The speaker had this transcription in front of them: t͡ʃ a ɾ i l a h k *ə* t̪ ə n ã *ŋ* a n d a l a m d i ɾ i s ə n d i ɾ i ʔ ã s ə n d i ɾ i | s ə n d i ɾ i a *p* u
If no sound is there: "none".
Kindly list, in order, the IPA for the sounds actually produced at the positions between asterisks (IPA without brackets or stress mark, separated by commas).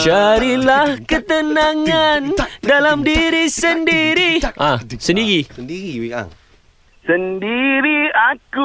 ə, ŋ, k